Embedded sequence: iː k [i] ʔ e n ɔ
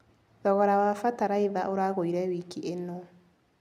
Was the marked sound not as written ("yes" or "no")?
no